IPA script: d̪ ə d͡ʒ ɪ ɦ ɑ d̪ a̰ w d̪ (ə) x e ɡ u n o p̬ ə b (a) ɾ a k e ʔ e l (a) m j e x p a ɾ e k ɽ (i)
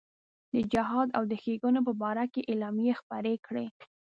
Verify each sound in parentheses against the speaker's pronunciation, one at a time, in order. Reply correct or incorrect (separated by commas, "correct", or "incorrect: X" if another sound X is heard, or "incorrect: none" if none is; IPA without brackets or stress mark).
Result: correct, incorrect: ɑ, incorrect: ɑ, incorrect: e